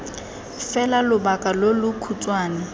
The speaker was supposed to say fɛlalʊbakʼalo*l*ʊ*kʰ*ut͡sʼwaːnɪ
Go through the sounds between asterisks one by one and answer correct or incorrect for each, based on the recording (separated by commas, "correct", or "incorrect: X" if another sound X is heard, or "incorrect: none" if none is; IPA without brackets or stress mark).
correct, correct